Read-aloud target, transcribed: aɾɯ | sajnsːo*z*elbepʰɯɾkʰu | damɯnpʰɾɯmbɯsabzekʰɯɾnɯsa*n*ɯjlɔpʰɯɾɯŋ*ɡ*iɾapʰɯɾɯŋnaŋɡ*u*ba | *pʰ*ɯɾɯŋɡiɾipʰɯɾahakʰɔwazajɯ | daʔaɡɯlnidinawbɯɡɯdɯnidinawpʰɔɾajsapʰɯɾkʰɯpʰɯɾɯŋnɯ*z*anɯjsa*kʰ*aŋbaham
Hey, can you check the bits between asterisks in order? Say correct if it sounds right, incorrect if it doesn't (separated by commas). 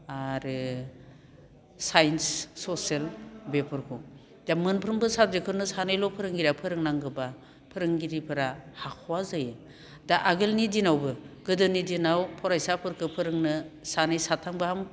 incorrect, correct, correct, incorrect, correct, incorrect, incorrect